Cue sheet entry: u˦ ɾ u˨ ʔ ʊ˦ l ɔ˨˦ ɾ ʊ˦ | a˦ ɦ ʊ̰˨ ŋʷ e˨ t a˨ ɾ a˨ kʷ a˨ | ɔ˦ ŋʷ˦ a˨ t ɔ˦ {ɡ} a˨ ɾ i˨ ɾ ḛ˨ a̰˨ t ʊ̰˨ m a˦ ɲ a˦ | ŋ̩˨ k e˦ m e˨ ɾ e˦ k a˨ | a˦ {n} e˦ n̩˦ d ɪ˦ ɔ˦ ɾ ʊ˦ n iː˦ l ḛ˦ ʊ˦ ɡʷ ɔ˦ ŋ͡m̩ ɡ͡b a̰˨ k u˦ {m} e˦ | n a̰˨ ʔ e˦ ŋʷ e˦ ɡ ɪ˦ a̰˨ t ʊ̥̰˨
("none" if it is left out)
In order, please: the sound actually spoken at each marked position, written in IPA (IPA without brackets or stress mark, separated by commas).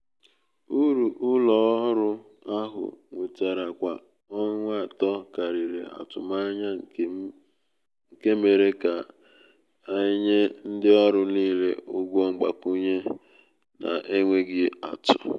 k, ɲ, ɲ